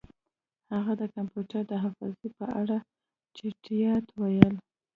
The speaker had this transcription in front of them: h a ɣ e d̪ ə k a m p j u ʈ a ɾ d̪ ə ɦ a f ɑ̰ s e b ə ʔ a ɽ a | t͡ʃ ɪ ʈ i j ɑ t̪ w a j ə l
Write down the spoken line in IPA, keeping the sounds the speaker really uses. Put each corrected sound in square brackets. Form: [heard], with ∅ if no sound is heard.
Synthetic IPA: h a ɣ [a] d̪ ə k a m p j u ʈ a ɾ d̪ ə ɦ a f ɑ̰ [z] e [p] ə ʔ a ɽ a | t͡ʃ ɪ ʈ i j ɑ t̪ w a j ə l